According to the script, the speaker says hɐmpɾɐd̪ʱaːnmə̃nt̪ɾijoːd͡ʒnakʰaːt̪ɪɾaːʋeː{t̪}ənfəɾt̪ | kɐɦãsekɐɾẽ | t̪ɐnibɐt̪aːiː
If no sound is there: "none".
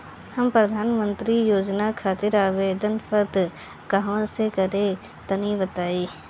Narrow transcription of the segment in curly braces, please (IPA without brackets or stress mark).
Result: d̪